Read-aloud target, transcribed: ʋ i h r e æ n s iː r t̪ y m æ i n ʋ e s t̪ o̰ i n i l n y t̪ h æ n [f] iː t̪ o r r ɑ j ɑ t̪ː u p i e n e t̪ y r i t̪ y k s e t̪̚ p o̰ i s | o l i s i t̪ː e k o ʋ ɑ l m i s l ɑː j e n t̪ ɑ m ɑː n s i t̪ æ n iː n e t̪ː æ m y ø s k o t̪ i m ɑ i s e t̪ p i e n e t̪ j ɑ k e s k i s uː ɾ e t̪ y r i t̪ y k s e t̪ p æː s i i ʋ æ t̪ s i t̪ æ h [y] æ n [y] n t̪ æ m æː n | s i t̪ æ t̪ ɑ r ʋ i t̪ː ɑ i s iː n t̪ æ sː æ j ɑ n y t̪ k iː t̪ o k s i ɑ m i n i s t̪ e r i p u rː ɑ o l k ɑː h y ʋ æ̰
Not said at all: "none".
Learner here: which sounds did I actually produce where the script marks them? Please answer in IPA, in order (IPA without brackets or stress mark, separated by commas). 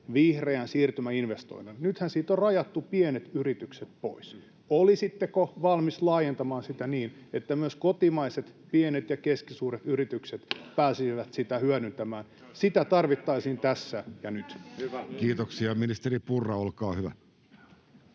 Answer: s, y, y